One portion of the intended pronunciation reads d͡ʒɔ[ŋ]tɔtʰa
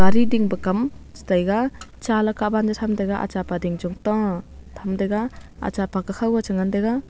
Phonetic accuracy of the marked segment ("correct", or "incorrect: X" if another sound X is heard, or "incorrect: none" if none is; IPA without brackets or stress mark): correct